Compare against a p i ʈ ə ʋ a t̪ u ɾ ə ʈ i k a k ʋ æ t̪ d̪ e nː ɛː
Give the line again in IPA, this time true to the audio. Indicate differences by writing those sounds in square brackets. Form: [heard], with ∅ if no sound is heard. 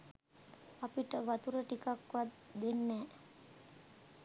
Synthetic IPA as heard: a p i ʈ ə ʋ a t̪ u ɾ ə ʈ i k a k ʋ [a] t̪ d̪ e nː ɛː